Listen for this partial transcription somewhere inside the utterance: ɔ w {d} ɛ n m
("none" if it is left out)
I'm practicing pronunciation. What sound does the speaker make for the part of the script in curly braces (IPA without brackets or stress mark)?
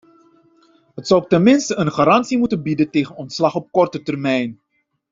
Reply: t